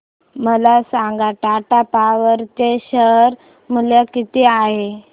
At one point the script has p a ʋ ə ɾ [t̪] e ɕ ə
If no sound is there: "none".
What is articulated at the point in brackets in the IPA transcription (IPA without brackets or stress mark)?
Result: t̪